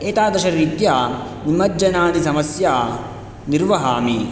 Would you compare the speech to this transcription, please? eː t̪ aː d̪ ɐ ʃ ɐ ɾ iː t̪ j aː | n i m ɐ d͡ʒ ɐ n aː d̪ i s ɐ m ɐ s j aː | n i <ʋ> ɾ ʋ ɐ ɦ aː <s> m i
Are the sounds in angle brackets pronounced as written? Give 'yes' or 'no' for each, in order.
no, no

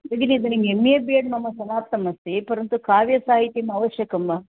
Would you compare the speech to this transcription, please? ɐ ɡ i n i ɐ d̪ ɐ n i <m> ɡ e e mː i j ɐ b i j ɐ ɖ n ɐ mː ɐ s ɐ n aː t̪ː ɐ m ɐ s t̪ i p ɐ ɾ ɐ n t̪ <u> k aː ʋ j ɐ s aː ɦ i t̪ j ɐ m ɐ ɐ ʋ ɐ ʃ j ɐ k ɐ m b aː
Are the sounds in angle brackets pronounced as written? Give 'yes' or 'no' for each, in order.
no, yes

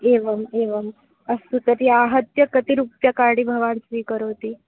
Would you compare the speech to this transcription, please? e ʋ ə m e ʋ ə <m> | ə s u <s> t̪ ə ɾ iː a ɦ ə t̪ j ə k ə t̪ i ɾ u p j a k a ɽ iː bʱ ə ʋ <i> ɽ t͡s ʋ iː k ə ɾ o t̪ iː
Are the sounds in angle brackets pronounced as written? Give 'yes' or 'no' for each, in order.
yes, no, no

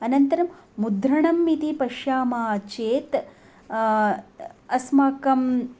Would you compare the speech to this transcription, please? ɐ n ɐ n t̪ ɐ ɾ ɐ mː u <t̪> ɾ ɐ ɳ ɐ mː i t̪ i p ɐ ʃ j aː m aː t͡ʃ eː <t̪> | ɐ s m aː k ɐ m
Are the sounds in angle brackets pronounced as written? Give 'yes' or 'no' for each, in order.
no, yes

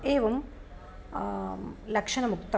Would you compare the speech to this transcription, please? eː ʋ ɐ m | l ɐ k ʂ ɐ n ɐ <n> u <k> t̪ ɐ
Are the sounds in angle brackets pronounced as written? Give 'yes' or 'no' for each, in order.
no, yes

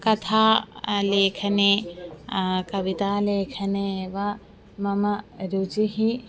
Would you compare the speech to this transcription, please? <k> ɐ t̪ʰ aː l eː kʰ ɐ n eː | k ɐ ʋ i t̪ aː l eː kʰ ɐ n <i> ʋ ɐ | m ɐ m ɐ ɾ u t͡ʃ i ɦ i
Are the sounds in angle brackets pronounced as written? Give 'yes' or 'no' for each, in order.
yes, no

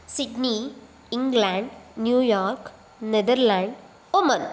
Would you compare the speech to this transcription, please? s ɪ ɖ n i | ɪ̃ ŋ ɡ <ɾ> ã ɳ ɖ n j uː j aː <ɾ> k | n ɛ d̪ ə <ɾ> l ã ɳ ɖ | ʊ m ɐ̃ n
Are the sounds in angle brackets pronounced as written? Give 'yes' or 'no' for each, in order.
no, yes, yes

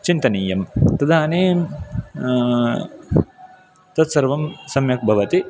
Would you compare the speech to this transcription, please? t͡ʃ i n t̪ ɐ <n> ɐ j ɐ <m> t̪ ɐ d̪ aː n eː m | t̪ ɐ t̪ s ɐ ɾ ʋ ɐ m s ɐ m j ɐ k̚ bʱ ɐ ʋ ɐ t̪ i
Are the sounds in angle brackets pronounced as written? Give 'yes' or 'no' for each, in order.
yes, yes

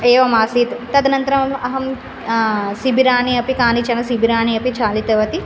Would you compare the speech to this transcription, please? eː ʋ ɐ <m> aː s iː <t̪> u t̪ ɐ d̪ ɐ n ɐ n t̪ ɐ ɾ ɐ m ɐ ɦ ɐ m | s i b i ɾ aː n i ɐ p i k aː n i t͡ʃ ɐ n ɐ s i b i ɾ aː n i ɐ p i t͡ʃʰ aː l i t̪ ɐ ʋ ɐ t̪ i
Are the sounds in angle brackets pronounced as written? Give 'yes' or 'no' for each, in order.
yes, yes

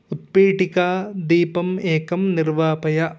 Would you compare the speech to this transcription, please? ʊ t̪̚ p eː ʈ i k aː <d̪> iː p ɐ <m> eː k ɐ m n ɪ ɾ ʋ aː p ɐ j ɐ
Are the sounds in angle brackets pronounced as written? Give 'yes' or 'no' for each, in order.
yes, yes

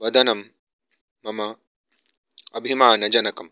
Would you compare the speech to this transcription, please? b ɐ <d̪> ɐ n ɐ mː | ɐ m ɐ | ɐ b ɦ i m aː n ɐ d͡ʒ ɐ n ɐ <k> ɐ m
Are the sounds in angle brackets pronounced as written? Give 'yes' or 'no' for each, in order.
yes, yes

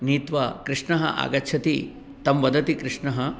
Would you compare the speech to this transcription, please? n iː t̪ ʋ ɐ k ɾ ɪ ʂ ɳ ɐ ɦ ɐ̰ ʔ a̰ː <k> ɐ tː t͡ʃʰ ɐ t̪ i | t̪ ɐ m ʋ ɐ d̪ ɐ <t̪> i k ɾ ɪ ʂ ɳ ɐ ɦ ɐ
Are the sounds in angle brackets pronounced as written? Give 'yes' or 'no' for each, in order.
no, yes

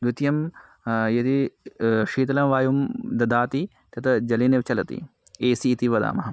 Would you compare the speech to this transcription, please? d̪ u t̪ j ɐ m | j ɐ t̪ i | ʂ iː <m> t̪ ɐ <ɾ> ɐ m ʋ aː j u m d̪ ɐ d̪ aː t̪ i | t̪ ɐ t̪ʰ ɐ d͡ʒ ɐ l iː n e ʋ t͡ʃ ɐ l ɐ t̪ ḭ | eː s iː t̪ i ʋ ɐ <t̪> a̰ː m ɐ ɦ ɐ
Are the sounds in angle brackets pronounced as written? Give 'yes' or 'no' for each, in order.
no, no, no

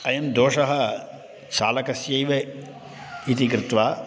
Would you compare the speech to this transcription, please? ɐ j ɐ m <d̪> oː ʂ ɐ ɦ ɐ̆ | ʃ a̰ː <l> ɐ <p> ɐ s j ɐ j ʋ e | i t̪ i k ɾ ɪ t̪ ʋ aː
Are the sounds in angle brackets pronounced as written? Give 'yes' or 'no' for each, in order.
yes, yes, no

